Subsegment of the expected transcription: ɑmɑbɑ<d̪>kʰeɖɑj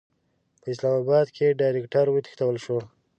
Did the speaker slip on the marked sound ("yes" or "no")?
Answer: no